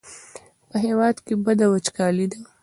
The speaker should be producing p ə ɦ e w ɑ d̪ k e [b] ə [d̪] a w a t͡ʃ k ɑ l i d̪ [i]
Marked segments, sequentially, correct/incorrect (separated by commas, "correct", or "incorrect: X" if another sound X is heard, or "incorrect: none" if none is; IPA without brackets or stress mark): correct, correct, incorrect: a